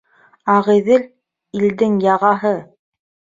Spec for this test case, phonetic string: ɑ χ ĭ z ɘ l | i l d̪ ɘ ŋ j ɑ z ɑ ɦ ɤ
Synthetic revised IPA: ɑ ʁ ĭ ð ɘ l | i l d̪ ɘ ŋ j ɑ ʁ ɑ ɦ ɤ